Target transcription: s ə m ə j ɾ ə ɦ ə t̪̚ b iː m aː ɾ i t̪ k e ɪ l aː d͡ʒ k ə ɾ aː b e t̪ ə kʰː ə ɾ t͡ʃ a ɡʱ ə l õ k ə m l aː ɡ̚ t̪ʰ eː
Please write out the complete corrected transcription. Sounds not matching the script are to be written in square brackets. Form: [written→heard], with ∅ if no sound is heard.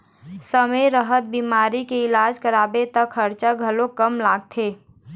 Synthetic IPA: s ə m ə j ɾ ə ɦ ə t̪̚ b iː m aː ɾ i [t̪→∅] k e ɪ l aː d͡ʒ k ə ɾ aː b e t̪ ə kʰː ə ɾ t͡ʃ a ɡʱ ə l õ k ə m l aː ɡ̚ t̪ʰ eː